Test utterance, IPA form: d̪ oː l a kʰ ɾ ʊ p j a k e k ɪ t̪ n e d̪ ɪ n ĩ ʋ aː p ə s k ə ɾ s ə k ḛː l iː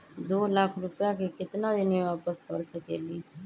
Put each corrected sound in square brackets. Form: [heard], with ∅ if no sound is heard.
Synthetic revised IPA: d̪ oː l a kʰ ɾ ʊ p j a k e k ɪ t̪ n [a] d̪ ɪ n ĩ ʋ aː p ə s k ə ɾ s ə k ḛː l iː